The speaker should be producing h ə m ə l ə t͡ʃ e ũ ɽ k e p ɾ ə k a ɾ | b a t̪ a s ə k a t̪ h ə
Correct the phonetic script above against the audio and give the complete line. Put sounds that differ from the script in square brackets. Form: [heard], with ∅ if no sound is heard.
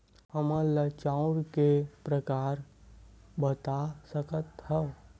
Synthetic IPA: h ə m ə l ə t͡ʃ [a] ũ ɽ k e p ɾ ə k a ɾ | b [ə] t̪ a s ə k [ə] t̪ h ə